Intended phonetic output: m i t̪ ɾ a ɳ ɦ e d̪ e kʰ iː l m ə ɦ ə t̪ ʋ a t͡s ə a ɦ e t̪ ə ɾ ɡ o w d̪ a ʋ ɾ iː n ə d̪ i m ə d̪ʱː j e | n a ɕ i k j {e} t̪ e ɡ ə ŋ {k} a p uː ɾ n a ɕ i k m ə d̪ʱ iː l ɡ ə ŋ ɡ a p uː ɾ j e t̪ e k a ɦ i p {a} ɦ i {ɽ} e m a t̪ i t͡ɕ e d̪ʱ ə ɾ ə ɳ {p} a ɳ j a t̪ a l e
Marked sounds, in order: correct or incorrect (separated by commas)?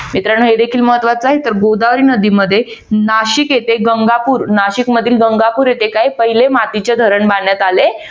correct, incorrect, incorrect, incorrect, incorrect